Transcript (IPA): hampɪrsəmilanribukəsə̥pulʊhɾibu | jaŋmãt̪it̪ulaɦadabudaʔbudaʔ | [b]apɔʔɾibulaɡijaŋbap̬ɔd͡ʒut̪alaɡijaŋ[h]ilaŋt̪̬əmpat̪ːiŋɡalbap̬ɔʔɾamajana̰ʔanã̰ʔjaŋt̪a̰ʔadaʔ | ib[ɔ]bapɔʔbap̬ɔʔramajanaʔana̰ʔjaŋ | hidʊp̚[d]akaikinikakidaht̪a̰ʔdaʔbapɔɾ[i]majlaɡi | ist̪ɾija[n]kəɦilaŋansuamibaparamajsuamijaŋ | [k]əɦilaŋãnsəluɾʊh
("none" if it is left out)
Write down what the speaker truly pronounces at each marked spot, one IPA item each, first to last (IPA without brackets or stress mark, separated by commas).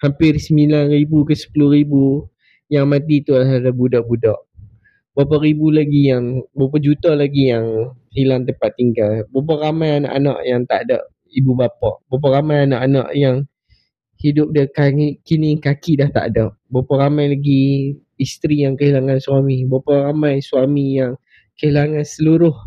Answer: b, h, u, d, a, ŋ, k